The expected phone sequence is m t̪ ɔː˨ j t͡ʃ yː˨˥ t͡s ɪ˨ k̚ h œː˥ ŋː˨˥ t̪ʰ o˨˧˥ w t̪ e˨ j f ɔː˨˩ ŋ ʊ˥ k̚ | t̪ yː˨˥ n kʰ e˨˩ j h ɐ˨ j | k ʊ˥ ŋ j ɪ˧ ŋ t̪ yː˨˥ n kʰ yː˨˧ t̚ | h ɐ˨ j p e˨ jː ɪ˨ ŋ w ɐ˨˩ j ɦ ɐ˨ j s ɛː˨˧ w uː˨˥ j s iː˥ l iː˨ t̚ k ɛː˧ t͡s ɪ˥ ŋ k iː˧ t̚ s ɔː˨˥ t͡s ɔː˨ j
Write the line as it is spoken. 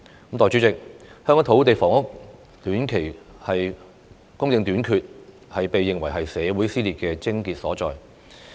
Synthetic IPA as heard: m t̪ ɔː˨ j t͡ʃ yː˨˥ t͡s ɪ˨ k̚ h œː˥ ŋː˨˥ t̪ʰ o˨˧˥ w t̪ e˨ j f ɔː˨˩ ŋ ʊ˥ k̚ | t̪ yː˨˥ n kʰ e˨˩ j h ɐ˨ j | k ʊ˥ ŋ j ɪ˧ ŋ t̪ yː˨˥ n kʰ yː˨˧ t̚ | h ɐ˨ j p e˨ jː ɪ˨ ŋ w ɐ˨˩ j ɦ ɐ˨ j s ɛː˨˧ w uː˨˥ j s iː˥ l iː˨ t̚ k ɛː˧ t͡s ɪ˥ ŋ k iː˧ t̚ s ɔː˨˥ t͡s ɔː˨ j